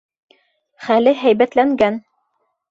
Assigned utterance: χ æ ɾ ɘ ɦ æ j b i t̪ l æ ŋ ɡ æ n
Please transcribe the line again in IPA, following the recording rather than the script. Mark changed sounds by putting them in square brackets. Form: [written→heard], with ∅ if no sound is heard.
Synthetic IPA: χ æ [ɾ→l] ɘ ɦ æ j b [i→æ] t̪ l æ ŋ ɡ æ n